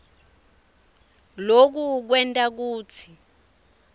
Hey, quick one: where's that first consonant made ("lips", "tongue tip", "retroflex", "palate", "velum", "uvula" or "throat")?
tongue tip